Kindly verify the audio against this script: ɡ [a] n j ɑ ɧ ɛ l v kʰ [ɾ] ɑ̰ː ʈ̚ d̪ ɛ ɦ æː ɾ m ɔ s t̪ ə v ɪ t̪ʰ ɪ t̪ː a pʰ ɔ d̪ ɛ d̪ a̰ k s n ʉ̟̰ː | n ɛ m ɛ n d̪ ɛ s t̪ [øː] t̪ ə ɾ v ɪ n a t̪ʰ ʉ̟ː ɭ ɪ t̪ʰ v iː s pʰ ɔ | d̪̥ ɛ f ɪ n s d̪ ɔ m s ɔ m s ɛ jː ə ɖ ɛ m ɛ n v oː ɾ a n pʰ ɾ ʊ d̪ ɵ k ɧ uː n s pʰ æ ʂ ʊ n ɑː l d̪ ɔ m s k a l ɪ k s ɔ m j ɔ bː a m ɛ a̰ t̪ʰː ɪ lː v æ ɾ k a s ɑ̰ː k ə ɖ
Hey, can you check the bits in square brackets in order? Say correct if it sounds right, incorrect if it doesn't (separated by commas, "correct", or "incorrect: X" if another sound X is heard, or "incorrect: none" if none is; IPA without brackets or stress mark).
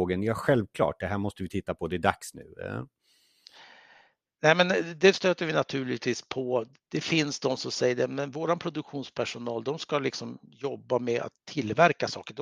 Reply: incorrect: ə, incorrect: l, correct